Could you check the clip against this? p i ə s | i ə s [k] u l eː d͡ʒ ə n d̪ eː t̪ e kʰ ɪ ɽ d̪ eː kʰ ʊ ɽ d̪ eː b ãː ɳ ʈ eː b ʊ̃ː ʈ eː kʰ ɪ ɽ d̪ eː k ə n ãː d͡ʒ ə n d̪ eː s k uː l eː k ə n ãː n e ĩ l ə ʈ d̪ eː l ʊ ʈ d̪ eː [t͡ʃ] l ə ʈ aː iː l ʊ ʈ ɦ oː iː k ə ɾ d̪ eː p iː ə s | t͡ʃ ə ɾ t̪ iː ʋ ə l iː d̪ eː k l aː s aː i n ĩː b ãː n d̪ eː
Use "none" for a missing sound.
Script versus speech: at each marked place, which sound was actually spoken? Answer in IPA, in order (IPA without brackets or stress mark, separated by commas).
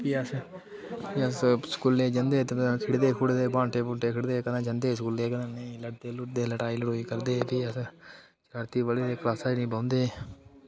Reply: k, none